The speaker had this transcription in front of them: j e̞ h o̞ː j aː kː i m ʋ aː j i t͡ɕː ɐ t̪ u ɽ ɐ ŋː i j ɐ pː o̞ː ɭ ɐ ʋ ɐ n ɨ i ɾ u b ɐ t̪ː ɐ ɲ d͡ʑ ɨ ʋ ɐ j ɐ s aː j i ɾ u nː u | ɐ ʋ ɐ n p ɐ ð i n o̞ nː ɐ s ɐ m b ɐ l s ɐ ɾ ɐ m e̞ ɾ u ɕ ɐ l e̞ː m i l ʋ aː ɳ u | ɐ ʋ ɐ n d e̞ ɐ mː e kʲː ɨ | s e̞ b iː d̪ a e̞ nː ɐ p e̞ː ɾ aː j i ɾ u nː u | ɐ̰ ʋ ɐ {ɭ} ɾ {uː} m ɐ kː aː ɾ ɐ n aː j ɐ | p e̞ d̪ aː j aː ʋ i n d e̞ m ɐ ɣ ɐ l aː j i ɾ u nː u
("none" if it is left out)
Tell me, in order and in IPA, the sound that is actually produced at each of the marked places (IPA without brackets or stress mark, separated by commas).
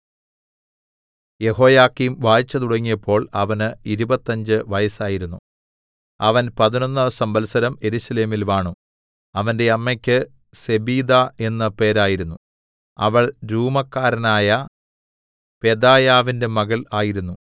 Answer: ɭ, uː